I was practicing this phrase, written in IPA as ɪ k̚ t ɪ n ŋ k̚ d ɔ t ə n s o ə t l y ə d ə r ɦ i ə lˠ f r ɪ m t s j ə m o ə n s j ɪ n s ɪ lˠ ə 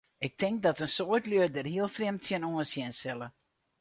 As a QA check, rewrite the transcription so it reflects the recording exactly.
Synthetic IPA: ɪ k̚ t ɪ ŋ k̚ d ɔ t ə n s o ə t l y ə d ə r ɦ i ə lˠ f r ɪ m t s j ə n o ə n s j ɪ n s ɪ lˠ ə